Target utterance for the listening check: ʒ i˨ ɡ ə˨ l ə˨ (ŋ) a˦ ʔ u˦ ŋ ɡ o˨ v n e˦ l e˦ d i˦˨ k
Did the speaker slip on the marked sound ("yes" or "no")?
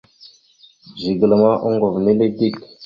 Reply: yes